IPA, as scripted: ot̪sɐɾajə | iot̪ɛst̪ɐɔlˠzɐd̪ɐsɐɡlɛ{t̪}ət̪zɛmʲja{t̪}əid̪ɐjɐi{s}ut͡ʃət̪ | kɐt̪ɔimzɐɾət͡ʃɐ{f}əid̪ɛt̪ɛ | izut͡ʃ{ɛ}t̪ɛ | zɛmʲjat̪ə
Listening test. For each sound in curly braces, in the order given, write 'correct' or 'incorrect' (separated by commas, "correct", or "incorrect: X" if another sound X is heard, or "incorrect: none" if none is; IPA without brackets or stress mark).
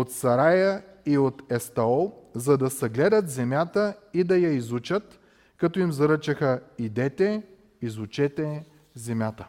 incorrect: d̪, correct, incorrect: z, incorrect: x, correct